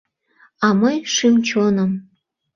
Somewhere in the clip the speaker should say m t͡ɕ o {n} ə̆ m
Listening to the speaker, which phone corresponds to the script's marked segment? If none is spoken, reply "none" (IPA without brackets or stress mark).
n